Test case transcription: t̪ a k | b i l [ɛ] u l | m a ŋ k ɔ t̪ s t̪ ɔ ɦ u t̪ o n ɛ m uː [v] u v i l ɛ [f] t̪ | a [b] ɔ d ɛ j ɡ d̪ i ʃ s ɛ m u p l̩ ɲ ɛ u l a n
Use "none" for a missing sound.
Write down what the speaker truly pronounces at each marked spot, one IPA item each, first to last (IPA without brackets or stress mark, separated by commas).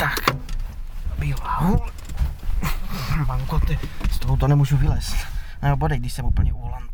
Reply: a, ʒ, s, b